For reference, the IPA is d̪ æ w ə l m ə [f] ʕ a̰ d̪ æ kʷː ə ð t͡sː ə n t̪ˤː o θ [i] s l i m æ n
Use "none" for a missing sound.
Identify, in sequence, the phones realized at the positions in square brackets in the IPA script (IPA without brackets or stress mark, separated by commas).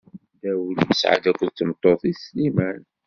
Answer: s, i